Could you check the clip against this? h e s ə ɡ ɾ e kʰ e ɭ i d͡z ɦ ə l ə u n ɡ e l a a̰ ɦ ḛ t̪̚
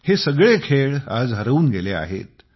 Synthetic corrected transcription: h e s ə ɡ ɭ e kʰ e ɭ a d͡z ɦ ə ɾ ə uː n ɡ e l e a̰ ɦ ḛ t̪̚